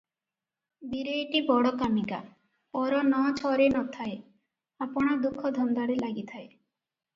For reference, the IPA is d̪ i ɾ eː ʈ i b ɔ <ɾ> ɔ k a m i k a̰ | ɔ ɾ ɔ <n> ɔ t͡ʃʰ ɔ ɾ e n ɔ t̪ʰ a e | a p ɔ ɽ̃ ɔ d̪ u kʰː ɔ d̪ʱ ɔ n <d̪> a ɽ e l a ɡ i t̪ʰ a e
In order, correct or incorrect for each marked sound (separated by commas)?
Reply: incorrect, correct, correct